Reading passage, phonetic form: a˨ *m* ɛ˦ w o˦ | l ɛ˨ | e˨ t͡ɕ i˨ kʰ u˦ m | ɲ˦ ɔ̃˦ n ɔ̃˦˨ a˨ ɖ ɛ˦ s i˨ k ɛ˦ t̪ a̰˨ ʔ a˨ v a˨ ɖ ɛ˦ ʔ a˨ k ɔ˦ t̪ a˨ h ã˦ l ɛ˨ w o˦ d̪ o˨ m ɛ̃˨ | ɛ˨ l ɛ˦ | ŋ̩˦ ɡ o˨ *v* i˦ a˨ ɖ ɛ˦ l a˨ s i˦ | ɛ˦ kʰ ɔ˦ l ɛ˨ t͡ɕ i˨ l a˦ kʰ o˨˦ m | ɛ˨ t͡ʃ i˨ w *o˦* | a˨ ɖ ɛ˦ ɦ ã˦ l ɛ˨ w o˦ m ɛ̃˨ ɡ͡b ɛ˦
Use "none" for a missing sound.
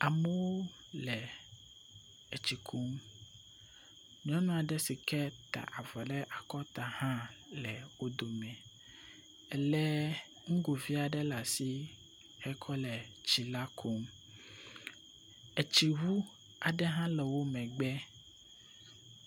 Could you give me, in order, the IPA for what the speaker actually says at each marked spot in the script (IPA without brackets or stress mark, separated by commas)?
m, v, u˦